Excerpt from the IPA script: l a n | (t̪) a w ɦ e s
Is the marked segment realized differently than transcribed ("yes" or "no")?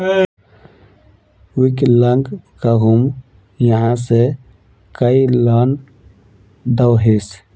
yes